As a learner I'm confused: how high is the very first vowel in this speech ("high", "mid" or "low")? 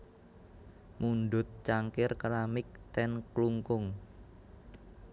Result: high